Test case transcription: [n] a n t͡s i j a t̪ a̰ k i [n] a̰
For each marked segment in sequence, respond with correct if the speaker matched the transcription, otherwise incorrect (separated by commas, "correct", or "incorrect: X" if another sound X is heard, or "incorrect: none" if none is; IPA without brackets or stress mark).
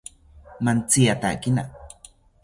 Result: incorrect: m, correct